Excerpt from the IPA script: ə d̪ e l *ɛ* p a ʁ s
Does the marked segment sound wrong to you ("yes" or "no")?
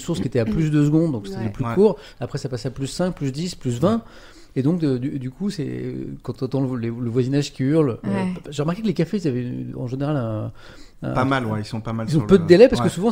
no